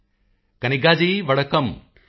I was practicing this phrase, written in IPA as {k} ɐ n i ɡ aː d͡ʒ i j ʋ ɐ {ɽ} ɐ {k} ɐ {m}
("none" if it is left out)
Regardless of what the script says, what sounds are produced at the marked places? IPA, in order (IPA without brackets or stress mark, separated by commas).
k, ɽ, k, m